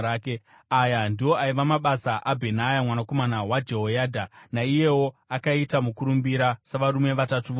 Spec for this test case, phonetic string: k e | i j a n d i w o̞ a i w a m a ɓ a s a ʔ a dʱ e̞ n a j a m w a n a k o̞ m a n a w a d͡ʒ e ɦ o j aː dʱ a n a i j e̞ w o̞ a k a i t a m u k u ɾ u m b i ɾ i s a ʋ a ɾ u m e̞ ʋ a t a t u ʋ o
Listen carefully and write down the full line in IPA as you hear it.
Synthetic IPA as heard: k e | a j a n d i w o̞ a i ʋ a m a ɓ a s a ʔ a bʱ e̞ n a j a m w a n a k o̞ m a n a w a d͡ʒ e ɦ o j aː dʱ a n a i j e̞ w o̞ a k a i t a m u k u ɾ u m b i ɾ a s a ʋ a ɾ u m e̞ ʋ a t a t u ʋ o